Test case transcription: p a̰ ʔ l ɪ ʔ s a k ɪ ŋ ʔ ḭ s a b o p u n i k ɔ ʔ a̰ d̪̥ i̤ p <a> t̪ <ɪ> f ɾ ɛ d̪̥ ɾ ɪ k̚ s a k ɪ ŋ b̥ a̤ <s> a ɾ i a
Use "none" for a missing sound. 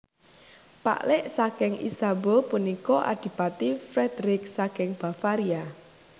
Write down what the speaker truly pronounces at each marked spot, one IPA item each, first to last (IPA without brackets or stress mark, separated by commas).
a, i, f